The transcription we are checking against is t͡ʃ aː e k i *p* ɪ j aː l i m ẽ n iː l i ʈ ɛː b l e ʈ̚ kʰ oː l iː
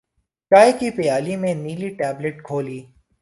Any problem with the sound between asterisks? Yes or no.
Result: no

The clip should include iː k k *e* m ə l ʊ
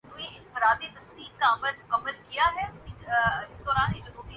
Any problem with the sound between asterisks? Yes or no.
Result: yes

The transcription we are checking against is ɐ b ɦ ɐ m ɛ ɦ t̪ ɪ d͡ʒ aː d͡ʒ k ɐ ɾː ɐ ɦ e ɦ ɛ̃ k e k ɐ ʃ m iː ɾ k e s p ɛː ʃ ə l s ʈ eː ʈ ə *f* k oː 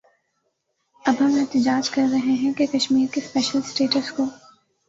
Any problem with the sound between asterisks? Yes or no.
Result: yes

